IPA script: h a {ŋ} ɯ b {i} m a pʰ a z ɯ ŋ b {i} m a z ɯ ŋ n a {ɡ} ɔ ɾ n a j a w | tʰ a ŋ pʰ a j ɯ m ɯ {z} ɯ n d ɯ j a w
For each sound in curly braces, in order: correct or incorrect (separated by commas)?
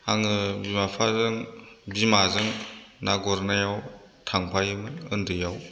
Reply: correct, correct, correct, correct, incorrect